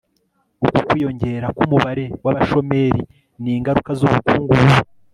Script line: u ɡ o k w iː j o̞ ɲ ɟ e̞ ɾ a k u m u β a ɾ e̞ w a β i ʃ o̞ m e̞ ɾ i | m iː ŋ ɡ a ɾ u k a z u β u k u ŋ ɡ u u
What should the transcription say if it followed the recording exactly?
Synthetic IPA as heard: u k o k w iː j o̞ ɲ ɟ e̞ ɾ a k u m u β a ɾ e̞ w a β a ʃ o̞ m e̞ ɾ i | n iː ŋ ɡ a ɾ u k a z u β u k uː ŋ ɡ u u